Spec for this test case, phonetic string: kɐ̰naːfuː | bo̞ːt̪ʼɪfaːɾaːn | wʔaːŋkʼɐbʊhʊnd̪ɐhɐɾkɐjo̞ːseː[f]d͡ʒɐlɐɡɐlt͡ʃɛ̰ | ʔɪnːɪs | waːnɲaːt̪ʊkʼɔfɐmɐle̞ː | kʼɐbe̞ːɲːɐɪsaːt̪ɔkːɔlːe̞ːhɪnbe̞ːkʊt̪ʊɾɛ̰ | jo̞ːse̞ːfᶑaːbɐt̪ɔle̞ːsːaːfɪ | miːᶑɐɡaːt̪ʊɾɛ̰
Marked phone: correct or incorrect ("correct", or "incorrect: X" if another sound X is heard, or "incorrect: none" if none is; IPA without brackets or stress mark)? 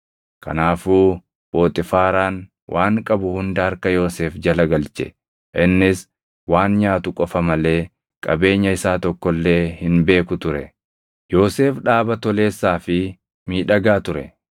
correct